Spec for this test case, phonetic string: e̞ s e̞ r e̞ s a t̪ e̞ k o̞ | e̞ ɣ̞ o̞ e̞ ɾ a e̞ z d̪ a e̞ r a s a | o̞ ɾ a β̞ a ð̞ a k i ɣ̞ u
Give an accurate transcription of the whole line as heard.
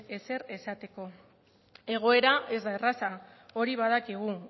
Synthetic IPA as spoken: e̞ s e̞ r e̞ s a t̪ e̞ k o̞ | e̞ ɣ̞ o̞ e̞ ɾ a e̞ z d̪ a e̞ r a s a | o̞ ɾ i β̞ a ð̞ a k i ɣ̞ u